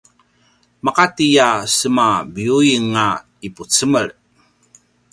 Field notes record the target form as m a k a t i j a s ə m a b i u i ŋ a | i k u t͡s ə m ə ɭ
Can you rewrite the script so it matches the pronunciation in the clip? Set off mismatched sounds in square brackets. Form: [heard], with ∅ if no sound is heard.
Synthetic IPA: m a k a t i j a s ə m a b i u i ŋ a | i [p] u t͡s ə m ə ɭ